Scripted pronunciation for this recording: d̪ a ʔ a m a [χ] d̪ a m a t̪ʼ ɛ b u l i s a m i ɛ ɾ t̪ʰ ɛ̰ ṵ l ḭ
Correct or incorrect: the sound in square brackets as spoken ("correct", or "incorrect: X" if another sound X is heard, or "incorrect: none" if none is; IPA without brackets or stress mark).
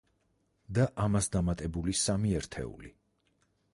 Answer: incorrect: s